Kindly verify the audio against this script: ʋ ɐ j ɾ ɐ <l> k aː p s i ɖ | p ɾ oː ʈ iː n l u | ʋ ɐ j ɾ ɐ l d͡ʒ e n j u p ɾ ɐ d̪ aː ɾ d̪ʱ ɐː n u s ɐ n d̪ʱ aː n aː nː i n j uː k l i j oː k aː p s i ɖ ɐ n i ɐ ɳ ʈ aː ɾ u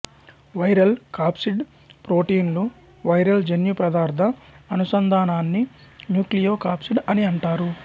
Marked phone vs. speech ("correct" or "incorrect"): correct